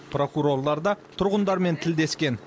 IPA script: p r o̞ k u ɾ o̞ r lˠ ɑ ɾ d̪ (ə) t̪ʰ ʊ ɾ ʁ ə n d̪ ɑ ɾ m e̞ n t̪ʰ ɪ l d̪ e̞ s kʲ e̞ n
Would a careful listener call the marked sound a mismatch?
yes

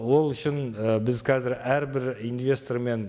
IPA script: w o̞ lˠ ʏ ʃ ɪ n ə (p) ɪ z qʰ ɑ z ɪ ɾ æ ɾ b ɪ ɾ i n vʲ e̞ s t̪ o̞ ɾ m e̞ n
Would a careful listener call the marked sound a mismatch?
yes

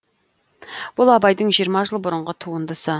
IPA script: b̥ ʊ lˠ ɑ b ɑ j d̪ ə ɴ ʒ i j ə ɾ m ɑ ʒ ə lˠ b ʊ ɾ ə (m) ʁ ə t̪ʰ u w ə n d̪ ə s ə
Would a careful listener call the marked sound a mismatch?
yes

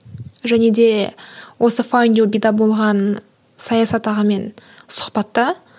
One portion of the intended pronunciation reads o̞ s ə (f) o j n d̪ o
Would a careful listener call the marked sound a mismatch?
no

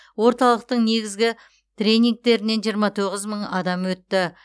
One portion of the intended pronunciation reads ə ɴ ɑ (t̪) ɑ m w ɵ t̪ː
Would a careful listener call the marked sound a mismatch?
yes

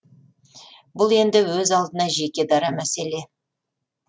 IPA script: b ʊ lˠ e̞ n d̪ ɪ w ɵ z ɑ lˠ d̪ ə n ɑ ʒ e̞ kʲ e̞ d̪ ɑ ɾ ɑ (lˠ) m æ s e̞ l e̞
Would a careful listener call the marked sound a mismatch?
yes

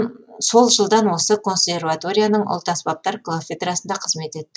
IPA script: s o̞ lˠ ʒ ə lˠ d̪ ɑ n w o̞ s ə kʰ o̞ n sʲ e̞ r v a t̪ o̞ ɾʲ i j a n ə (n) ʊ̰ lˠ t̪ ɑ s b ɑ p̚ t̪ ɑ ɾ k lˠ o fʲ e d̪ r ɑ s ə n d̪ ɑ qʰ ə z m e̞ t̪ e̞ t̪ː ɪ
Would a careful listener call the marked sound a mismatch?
yes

